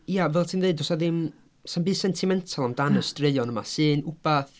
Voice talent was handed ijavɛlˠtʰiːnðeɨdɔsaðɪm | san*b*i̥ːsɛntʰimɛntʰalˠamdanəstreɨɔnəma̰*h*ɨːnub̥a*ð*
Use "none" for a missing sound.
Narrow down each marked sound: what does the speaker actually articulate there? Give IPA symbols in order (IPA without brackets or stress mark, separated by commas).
b, s, θ